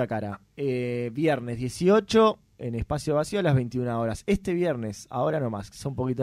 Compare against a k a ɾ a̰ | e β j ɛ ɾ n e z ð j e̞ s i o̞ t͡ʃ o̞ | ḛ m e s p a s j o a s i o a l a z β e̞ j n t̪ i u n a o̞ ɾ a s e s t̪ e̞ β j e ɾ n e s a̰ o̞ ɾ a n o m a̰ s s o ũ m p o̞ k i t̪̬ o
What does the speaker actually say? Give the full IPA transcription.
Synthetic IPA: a k a ɾ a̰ | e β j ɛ ɾ n e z ð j e̞ s i o̞ t͡ʃ o̞ | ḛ n e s p a s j o a s i o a l a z β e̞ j n t̪ i u n a o̞ ɾ a s e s t̪ e̞ β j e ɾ n e s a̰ o̞ ɾ a n o m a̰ s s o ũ m p o̞ k i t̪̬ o